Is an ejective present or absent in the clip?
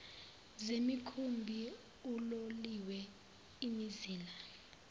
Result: absent